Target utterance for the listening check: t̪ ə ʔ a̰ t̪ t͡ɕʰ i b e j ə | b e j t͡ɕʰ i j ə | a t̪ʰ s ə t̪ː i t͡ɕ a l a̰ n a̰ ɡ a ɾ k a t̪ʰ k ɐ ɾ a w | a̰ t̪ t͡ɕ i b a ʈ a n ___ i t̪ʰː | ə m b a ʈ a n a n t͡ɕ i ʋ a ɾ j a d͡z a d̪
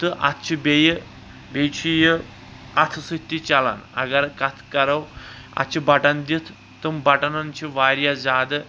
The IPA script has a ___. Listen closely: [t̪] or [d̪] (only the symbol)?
d̪